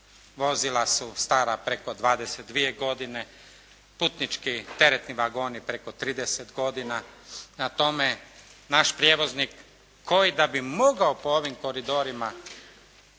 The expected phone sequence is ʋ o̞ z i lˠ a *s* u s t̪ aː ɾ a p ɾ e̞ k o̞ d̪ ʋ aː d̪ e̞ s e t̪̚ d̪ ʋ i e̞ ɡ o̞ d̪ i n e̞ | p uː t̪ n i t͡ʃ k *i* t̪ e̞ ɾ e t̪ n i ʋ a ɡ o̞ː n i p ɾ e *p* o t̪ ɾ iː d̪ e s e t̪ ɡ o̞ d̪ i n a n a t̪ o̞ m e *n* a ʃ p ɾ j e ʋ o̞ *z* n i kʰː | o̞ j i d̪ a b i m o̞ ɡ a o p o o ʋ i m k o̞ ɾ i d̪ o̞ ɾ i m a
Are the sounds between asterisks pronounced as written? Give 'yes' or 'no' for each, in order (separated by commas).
yes, yes, no, yes, yes